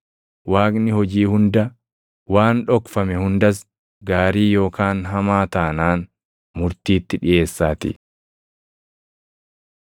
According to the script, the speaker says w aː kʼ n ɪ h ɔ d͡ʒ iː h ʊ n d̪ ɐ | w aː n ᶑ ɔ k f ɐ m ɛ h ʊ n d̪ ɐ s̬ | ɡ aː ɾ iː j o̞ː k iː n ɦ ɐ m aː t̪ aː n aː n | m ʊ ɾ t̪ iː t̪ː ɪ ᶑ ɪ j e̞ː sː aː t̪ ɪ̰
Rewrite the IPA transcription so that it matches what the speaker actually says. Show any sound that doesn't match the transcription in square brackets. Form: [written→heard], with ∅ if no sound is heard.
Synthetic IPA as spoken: w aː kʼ n ɪ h ɔ d͡ʒ iː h ʊ n d̪ ɐ | w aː n ᶑ ɔ k f ɐ m ɛ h ʊ n d̪ ɐ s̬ | ɡ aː ɾ iː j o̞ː k [iː→aː] n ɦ ɐ m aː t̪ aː n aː n | m ʊ ɾ t̪ iː t̪ː ɪ ᶑ ɪ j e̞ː sː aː t̪ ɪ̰

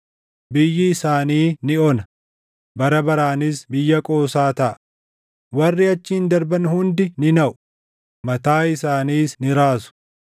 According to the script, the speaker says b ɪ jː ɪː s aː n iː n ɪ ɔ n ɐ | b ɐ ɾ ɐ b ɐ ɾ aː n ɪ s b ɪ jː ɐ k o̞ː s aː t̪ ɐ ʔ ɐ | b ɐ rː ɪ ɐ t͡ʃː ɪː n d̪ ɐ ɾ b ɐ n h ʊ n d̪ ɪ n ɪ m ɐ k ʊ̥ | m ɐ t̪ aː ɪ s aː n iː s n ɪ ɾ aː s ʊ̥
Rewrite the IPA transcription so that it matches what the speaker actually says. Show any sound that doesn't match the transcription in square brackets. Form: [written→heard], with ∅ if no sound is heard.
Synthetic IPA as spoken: b ɪ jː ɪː s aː n iː n ɪ ɔ n ɐ | b ɐ ɾ ɐ b ɐ ɾ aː n ɪ s b ɪ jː ɐ [k→kʼ] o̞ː s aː t̪ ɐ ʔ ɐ | [b→w] ɐ rː ɪ ɐ t͡ʃː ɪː n d̪ ɐ ɾ b ɐ n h ʊ n d̪ ɪ n ɪ [m→n] ɐ [k→ʔ] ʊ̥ | m ɐ t̪ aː ɪ s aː n iː s n ɪ ɾ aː s ʊ̥

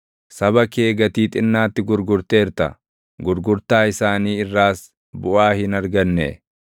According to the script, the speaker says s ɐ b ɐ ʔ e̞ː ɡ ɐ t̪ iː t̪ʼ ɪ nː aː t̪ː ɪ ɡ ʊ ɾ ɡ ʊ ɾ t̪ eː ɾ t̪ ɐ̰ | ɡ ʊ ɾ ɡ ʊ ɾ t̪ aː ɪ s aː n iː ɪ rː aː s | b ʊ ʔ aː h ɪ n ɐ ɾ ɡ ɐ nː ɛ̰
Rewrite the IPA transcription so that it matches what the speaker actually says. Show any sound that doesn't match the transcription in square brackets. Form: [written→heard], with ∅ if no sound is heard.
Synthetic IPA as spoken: s ɐ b ɐ [ʔ→k] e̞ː ɡ ɐ t̪ iː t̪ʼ ɪ nː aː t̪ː ɪ ɡ ʊ ɾ ɡ ʊ ɾ t̪ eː ɾ t̪ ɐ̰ | ɡ ʊ ɾ ɡ ʊ ɾ t̪ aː ɪ s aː n iː ɪ rː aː s | b ʊ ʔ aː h ɪ n ɐ ɾ ɡ ɐ nː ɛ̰

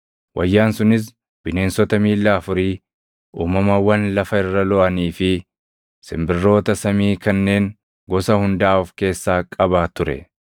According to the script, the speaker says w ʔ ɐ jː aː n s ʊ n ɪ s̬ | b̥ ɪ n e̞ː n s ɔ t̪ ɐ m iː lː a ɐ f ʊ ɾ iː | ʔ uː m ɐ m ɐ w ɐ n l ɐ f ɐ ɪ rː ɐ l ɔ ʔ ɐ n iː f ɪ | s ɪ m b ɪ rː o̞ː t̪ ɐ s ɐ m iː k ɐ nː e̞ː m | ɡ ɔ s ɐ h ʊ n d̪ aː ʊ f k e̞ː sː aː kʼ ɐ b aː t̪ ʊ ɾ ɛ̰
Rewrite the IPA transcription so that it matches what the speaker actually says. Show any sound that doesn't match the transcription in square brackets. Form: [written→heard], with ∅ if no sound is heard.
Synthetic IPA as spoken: w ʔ ɐ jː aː n s ʊ n ɪ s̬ | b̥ ɪ n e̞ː n s ɔ t̪ ɐ m iː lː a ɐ f ʊ ɾ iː | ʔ uː m ɐ m ɐ w ɐ n l ɐ f ɐ ɪ rː ɐ l ɔ ʔ ɐ n iː f ɪ | s ɪ m b ɪ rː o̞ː t̪ ɐ s ɐ m iː k ɐ nː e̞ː [m→ŋ] | ɡ ɔ s ɐ h ʊ n d̪ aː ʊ f k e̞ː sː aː kʼ ɐ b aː t̪ ʊ ɾ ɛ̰

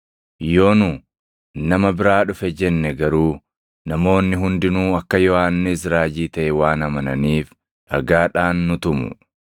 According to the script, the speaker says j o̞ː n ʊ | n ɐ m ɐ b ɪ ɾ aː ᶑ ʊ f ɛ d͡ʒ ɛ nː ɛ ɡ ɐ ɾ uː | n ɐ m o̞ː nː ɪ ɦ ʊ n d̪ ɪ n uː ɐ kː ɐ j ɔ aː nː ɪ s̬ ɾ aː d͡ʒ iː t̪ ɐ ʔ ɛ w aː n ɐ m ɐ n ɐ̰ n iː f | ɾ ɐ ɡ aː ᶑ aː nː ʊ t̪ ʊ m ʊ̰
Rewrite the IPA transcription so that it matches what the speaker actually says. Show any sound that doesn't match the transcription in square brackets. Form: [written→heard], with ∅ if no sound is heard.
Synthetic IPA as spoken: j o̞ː n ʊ | n ɐ m ɐ b ɪ ɾ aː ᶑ ʊ f ɛ d͡ʒ ɛ nː ɛ ɡ ɐ ɾ uː | n ɐ m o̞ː nː ɪ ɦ ʊ n d̪ ɪ n uː ɐ kː ɐ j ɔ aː nː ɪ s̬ ɾ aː d͡ʒ iː t̪ ɐ ʔ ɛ w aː n ɐ m ɐ n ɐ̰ n iː f | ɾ ɐ ɡ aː ᶑ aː nː ʊ t̪ ʊ m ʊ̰

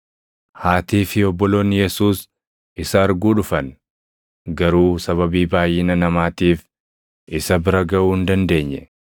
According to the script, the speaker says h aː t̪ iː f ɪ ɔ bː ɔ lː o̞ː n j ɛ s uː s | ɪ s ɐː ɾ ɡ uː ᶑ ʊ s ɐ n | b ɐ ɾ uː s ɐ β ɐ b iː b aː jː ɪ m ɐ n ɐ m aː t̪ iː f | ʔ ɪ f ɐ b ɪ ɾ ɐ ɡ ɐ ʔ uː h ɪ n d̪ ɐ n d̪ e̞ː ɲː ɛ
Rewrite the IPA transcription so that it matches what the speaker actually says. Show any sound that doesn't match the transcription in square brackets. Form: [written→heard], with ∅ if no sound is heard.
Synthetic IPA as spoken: h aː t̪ iː f ɪ ɔ bː ɔ [lː→l] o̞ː n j ɛ s uː s | ɪ s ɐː ɾ ɡ uː ᶑ ʊ [s→f] ɐ n | [b→ɡ] ɐ ɾ uː s ɐ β ɐ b iː b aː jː ɪ [m→n] ɐ n ɐ m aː t̪ iː f | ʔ ɪ [f→s] ɐ b ɪ ɾ ɐ ɡ ɐ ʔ uː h ɪ n d̪ ɐ n d̪ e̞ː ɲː ɛ

